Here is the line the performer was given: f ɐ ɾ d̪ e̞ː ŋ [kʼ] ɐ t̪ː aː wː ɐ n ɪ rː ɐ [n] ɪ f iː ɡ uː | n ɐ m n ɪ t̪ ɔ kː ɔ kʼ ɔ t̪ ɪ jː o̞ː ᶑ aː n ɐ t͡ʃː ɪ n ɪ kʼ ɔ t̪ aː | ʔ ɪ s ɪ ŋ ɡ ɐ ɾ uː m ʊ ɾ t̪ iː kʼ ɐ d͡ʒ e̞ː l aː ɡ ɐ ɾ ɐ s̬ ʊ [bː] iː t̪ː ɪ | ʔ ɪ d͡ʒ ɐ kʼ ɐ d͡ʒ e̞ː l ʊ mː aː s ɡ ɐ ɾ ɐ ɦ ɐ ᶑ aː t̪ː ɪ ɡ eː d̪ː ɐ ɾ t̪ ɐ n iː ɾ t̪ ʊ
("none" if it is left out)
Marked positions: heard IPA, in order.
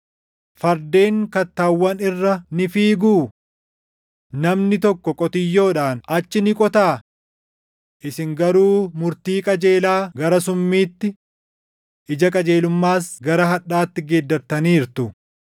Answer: k, n, mː

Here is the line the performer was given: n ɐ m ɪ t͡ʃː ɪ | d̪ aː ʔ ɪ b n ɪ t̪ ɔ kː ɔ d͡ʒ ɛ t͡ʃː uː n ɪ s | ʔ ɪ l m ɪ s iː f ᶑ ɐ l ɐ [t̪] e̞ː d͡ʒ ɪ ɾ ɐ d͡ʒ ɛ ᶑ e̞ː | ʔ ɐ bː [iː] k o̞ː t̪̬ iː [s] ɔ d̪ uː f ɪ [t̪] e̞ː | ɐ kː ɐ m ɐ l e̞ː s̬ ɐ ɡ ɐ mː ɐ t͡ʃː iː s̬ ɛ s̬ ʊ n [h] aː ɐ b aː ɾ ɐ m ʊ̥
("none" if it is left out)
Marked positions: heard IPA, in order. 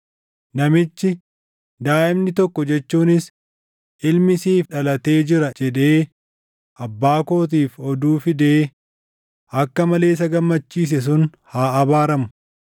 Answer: t̪, aː, f, d̪, h

